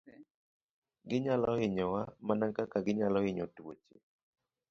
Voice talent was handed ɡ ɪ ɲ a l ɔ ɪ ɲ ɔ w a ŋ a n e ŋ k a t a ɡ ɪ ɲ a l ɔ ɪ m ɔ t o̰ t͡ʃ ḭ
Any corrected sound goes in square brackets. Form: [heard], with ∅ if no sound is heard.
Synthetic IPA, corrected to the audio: ɡ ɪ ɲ a l ɔ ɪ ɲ ɔ w a [m] a n [a] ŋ k a [k] a ɡ ɪ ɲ a l ɔ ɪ [ɲ] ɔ t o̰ t͡ʃ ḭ